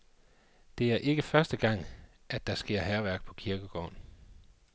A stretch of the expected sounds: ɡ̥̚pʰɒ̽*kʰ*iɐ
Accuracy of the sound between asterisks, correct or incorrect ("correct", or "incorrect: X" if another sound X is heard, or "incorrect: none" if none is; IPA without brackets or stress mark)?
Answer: correct